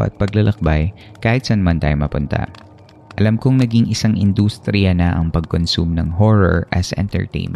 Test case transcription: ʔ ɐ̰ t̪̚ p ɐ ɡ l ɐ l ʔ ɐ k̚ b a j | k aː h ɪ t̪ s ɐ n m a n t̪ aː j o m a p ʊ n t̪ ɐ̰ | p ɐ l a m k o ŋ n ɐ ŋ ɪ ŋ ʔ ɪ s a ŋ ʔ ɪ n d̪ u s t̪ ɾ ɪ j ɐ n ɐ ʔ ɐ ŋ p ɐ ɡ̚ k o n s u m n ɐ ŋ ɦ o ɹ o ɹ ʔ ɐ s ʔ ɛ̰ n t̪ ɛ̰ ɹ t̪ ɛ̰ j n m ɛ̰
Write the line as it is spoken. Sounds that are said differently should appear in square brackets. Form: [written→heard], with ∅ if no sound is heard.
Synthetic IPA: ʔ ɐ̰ t̪̚ p ɐ ɡ l ɐ l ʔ ɐ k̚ b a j | k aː h ɪ t̪ s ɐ n m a n t̪ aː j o m [a→ɐ] p ʊ n t̪ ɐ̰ | [p→ʔ] ɐ l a m k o ŋ n ɐ [ŋ→ɡ] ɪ ŋ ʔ ɪ s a ŋ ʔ ɪ n d̪ u s t̪ ɾ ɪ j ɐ n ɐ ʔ ɐ ŋ p ɐ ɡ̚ k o n s u m n ɐ ŋ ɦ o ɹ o ɹ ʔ ɐ s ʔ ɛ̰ n t̪ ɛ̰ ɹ t̪ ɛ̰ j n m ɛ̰